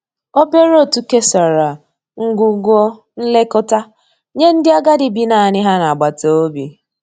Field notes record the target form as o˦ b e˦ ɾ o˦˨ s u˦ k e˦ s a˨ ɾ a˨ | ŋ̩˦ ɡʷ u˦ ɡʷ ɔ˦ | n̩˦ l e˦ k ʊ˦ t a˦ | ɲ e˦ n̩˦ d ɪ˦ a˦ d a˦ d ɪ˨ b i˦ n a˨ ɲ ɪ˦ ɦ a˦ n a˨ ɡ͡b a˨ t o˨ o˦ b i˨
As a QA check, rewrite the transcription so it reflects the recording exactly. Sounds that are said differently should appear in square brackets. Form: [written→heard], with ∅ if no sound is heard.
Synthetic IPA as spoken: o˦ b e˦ ɾ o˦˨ [s→t] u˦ k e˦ s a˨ ɾ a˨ | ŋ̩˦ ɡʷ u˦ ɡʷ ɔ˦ | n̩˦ l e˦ k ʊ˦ t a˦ | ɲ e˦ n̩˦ d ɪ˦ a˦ [d→ɡ] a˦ d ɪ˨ b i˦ n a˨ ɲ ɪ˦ ɦ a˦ n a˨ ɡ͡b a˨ t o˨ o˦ b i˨